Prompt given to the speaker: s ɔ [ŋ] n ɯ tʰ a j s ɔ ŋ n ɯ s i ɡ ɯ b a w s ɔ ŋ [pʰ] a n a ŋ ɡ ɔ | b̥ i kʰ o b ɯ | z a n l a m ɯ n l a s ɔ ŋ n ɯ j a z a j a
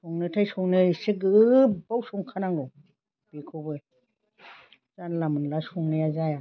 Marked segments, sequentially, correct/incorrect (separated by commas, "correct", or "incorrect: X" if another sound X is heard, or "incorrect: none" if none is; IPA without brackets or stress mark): correct, incorrect: kʰ